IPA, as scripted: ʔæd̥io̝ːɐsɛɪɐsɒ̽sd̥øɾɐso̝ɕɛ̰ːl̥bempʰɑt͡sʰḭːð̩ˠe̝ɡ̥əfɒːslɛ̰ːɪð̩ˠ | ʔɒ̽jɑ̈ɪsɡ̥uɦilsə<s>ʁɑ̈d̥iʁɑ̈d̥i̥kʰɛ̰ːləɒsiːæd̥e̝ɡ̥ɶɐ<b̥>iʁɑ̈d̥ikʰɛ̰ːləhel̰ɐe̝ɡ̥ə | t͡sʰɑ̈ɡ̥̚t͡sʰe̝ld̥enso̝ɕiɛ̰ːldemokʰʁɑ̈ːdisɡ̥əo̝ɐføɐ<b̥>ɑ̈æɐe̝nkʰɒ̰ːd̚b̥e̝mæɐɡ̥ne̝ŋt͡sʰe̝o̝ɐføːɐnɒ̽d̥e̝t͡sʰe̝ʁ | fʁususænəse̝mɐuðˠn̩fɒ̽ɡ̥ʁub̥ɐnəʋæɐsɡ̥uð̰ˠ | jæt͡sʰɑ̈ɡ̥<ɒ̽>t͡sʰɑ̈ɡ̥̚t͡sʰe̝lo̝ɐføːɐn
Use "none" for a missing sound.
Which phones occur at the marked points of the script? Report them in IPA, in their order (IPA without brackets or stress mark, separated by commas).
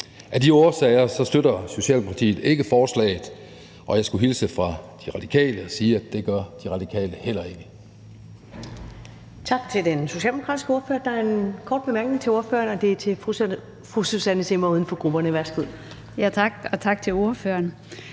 f, d̥, d̥, ɒ̽